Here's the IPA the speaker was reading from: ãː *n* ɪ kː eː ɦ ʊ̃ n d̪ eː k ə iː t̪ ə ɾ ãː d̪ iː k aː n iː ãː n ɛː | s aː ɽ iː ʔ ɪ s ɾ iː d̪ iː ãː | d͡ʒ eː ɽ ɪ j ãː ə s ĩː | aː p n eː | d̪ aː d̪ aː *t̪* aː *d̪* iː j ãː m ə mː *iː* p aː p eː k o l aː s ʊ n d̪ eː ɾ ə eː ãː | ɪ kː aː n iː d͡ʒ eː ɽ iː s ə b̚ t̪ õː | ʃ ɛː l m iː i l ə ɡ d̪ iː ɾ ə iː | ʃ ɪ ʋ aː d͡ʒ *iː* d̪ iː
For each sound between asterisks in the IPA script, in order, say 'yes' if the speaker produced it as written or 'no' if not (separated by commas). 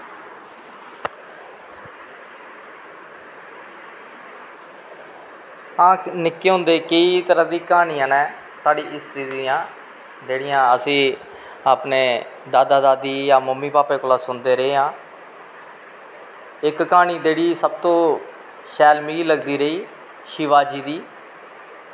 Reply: yes, no, yes, yes, yes